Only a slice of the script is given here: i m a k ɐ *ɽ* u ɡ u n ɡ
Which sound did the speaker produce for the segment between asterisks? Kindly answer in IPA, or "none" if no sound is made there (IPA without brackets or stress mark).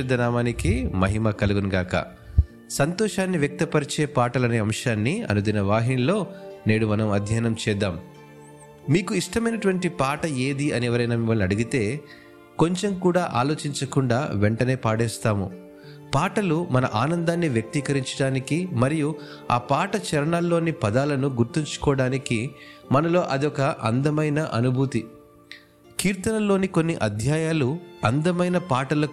l